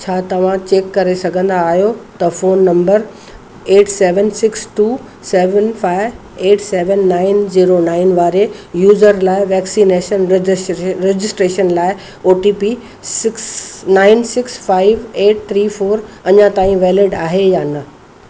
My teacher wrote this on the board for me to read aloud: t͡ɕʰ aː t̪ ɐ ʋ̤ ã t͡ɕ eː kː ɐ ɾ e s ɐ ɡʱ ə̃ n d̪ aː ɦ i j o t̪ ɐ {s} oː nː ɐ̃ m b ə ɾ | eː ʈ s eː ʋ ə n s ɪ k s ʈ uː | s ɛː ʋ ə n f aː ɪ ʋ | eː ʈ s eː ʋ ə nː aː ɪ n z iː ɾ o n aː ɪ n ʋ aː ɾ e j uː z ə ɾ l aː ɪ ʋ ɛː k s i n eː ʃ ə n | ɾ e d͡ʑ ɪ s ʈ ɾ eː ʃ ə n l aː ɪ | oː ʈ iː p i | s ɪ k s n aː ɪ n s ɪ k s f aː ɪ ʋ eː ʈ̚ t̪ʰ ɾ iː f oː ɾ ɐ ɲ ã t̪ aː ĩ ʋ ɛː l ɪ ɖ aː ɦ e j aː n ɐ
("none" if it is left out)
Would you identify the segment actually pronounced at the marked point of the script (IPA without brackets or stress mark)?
f